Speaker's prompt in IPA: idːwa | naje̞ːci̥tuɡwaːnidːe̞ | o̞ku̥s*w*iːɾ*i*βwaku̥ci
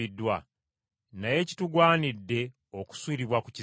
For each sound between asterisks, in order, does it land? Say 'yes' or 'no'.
yes, yes

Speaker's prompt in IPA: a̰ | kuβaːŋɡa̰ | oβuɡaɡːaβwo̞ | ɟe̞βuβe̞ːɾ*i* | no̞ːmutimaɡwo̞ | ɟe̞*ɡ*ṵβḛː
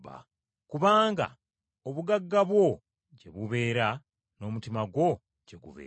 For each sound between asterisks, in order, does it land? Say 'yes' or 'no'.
no, yes

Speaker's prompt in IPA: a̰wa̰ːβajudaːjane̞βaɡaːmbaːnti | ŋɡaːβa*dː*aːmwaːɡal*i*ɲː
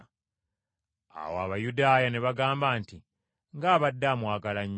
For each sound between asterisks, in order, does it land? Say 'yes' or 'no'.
yes, no

